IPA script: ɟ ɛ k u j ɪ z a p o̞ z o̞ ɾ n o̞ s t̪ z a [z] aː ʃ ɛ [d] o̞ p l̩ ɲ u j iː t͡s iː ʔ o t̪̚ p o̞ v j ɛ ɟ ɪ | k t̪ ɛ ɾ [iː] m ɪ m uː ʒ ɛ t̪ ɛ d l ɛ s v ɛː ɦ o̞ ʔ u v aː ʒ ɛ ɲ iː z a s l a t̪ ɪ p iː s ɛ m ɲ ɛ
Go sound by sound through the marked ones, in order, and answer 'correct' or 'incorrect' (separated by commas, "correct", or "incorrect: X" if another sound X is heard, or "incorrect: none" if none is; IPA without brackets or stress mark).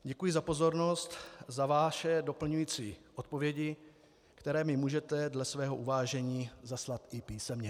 incorrect: v, correct, incorrect: ɛː